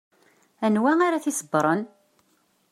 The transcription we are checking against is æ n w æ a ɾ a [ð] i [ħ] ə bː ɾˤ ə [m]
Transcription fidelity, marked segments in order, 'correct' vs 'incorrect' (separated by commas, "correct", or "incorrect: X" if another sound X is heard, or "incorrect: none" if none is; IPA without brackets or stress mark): incorrect: θ, incorrect: s, incorrect: n